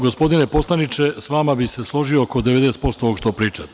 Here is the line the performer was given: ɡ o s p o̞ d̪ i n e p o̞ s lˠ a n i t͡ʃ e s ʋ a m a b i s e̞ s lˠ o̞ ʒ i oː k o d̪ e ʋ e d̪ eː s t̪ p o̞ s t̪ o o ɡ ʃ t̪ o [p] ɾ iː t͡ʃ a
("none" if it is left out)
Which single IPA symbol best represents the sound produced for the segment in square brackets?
p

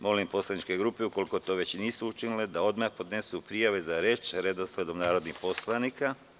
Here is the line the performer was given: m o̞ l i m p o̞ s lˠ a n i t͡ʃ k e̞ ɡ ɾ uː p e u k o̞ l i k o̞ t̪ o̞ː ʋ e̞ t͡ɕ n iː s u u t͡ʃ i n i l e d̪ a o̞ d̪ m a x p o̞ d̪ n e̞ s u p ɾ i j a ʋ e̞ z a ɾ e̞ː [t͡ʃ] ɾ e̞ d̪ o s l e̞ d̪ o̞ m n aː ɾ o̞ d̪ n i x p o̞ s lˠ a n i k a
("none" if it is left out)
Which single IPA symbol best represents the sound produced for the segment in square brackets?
t͡ʃ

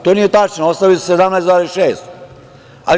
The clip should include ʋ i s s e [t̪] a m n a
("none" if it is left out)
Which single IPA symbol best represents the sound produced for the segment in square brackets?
d̪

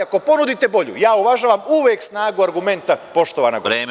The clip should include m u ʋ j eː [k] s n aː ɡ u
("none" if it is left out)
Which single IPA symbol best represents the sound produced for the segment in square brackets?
k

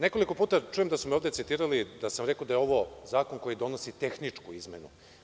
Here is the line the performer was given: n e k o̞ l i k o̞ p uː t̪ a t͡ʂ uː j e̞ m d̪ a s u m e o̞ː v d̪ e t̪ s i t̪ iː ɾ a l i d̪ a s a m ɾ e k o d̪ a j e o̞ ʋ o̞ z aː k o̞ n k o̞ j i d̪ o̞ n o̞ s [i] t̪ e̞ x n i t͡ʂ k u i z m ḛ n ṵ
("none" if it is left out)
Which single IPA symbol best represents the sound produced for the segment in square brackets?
i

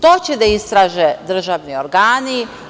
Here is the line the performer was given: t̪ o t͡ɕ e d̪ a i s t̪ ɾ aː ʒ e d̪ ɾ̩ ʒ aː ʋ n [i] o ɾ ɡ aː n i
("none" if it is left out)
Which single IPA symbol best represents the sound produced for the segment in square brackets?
i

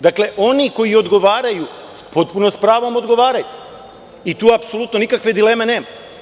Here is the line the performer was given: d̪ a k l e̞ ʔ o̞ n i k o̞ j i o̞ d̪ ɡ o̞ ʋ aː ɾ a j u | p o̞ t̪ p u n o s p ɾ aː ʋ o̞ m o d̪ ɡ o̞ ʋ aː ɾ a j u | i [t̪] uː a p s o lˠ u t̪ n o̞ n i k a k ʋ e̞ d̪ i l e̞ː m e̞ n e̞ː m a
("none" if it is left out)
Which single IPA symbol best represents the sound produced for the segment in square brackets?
t̪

